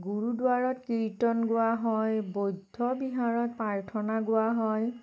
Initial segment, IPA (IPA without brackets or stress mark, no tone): ɡ